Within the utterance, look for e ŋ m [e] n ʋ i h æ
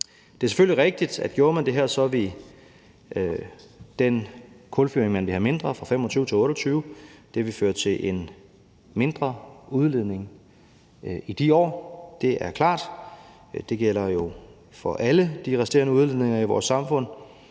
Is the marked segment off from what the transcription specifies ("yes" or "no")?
yes